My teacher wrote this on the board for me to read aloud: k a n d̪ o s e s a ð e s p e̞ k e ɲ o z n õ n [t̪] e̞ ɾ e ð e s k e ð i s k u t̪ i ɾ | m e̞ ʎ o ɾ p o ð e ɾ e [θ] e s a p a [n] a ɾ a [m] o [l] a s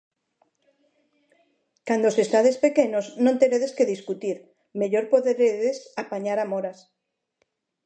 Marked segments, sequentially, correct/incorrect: correct, incorrect, incorrect, correct, incorrect

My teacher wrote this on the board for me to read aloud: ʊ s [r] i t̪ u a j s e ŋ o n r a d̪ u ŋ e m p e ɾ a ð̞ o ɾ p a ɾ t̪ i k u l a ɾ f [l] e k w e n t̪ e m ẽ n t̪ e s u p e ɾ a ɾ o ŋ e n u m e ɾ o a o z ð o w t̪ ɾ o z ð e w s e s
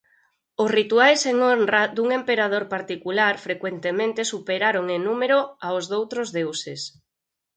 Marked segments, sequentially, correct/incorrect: correct, incorrect

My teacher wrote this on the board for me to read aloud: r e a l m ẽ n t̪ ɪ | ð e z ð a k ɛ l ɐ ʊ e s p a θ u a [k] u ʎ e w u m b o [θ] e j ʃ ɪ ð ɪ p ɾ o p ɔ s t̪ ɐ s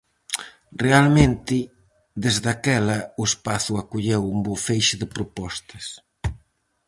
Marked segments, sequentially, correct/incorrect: correct, incorrect

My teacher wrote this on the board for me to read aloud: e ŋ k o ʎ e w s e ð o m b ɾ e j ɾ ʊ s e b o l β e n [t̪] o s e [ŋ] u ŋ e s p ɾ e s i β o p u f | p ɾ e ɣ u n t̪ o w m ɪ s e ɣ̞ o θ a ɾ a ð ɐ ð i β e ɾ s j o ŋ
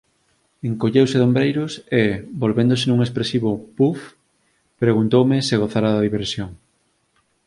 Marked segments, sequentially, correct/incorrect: incorrect, incorrect

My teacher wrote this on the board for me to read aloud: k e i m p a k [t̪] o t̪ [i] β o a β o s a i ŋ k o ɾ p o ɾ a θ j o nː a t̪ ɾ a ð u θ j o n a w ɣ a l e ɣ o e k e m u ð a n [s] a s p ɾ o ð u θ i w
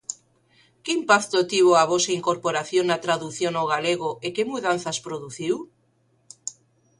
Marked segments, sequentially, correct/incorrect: correct, correct, incorrect

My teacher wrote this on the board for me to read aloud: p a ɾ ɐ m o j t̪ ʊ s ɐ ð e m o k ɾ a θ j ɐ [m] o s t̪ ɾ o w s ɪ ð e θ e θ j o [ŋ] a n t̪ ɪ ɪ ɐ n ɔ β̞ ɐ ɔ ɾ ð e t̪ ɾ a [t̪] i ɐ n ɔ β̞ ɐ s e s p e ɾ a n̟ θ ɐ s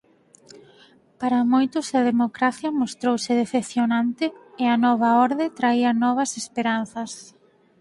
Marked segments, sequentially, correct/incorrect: correct, incorrect, incorrect

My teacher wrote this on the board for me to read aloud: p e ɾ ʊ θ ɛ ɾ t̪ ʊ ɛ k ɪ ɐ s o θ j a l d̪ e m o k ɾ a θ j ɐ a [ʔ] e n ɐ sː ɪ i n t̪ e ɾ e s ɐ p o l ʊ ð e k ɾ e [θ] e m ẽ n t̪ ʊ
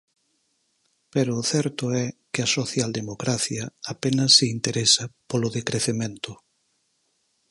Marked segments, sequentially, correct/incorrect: incorrect, correct

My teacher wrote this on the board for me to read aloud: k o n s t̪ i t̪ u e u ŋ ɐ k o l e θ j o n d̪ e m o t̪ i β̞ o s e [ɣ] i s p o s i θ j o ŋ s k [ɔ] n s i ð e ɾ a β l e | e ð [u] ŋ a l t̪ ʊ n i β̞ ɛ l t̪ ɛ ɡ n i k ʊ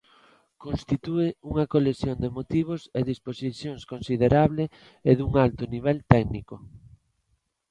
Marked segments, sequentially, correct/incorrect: incorrect, incorrect, correct

